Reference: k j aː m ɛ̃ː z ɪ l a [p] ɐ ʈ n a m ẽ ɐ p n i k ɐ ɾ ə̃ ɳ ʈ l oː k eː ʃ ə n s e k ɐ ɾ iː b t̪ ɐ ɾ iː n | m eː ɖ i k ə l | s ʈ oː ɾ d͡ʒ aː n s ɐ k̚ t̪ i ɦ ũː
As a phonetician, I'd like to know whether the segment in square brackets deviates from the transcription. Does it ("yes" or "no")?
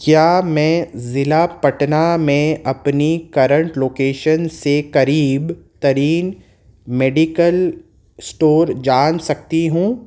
no